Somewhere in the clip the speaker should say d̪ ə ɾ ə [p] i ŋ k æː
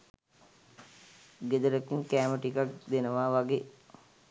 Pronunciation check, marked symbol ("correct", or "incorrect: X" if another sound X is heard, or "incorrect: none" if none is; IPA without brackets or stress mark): incorrect: k